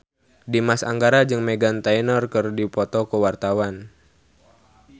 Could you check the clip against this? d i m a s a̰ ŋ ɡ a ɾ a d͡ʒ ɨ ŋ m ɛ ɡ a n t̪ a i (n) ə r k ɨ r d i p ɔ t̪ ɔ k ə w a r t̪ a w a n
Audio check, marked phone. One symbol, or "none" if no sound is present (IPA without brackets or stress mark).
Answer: n